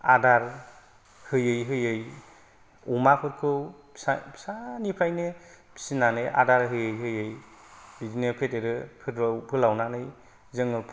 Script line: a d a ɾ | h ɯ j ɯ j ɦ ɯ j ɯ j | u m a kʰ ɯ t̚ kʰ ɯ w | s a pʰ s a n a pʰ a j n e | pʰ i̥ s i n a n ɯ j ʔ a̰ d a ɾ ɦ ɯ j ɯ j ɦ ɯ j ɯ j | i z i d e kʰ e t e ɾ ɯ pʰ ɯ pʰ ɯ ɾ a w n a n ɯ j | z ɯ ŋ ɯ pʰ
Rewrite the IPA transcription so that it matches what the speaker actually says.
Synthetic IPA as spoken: a d a ɾ | h ɯ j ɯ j ɦ ɯ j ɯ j | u m a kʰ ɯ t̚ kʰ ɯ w | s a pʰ s a n i pʰ a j n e | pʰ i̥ s i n a n ɯ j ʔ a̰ d a ɾ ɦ ɯ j ɯ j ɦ ɯ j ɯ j | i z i n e pʰ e t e ɾ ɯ pʰ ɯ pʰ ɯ l a w n a n ɯ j | z ɯ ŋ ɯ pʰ